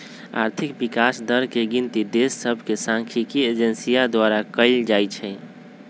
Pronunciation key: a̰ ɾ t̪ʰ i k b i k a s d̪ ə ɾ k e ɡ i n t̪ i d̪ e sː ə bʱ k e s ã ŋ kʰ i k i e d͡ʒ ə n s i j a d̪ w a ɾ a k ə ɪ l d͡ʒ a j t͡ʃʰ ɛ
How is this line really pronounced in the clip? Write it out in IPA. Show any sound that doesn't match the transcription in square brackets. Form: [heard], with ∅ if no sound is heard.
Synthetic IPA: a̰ ɾ t̪ʰ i k b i k a s d̪ ə ɾ k e ɡ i n t̪ i d̪ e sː ə bʱ k e s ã ŋ kʰ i k i e d͡ʒ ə n s i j a d̪ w a ɾ a k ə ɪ l d͡ʒ a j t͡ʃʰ ɛ

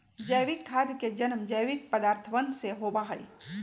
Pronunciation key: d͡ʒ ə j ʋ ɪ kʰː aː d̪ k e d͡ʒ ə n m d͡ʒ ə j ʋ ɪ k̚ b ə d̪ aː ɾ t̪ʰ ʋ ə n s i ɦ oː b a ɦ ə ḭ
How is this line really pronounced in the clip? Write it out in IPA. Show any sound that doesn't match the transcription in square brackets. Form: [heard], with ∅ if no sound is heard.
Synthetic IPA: d͡ʒ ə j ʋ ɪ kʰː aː d̪ k e d͡ʒ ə n m d͡ʒ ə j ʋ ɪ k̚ [p] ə d̪ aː ɾ t̪ʰ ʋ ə n s [e] ɦ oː b a ɦ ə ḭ

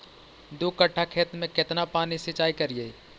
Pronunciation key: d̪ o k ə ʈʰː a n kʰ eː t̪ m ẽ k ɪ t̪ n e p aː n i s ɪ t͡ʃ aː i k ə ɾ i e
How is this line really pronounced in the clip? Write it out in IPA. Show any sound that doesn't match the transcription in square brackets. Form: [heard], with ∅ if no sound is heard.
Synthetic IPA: d̪ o k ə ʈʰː a [∅] kʰ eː t̪ m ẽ k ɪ t̪ n [a] p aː n i s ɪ t͡ʃ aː i k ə ɾ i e

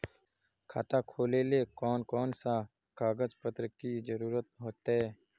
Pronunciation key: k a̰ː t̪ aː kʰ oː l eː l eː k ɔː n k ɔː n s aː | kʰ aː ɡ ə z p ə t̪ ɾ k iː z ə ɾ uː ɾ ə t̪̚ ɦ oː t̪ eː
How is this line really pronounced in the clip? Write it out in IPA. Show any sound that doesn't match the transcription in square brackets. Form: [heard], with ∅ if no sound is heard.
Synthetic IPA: [kʰ] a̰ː t̪ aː kʰ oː l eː l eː k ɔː n k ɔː n s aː | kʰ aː ɡ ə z p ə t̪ ɾ k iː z ə ɾ uː ɾ ə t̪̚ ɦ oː t̪ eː

